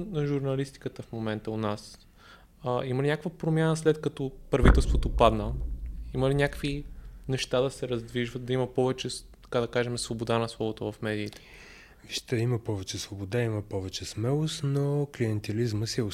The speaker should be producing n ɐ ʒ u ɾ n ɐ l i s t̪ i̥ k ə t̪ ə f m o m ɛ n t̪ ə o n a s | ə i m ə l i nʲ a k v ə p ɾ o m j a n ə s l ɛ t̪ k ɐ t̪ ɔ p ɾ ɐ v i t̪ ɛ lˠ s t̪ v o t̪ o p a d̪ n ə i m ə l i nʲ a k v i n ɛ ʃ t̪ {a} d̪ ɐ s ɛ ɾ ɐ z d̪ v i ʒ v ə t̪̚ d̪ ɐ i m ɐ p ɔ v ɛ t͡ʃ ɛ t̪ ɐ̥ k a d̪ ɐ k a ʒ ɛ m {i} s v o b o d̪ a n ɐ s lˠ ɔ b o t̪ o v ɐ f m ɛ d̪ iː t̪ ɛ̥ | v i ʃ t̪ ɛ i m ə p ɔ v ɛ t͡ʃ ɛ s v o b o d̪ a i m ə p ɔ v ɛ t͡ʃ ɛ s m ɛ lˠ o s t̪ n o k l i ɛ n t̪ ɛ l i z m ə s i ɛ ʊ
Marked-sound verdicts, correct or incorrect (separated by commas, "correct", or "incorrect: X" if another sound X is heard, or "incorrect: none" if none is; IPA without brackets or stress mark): correct, incorrect: ɛ